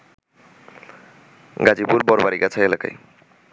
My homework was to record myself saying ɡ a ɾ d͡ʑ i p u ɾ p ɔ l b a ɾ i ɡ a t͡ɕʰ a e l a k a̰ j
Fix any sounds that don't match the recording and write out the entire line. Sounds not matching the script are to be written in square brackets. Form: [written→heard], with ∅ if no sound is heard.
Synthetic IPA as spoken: ɡ a [ɾ→∅] d͡ʑ i p u ɾ [p→b] ɔ [l→ɾ] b a ɾ i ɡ a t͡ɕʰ a e l a k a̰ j